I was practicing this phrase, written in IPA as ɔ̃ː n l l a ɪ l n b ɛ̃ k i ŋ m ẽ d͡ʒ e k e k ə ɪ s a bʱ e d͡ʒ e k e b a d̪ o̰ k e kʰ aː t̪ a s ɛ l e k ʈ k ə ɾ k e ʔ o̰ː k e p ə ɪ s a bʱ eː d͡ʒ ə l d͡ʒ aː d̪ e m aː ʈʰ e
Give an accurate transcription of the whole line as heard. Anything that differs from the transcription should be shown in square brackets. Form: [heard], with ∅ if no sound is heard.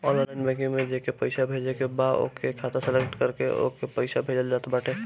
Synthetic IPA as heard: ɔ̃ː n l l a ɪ [∅] n b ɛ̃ k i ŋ m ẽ d͡ʒ e k e [p] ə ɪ s a bʱ e d͡ʒ e k e b a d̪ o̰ k e kʰ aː t̪ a s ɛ l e k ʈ k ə ɾ k e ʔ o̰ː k e p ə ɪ s a bʱ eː d͡ʒ ə l d͡ʒ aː [t̪] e [b] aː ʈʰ e